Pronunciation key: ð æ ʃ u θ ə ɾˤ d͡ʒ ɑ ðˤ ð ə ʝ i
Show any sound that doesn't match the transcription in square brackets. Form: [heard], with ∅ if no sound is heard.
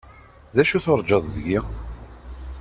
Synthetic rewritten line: ð æ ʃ u θ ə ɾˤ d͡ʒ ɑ ðˤ ð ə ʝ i

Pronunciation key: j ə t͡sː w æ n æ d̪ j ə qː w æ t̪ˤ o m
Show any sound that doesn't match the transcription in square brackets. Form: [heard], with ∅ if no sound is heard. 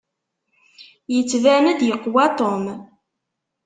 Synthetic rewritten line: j ə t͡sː [v] æ n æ d̪ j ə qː w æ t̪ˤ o m

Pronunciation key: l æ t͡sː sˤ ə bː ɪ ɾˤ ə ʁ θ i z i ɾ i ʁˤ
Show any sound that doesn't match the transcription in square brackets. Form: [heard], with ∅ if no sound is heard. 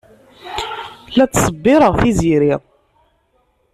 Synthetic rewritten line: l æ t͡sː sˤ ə bː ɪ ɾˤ ə ʁ θ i z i ɾ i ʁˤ

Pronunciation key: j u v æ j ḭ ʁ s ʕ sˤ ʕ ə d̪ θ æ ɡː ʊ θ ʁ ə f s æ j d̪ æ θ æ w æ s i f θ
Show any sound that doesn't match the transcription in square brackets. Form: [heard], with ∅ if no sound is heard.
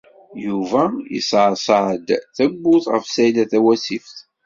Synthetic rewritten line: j u v æ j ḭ [∅] s ʕ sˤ ʕ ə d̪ θ æ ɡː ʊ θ ʁ ə f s æ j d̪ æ θ æ w æ s i f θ

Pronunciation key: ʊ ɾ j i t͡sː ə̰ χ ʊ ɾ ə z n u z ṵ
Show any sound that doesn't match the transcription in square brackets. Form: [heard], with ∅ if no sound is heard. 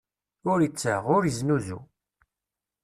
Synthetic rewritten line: ʊ ɾ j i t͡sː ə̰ [ʁ] ʊ ɾ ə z n u z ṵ

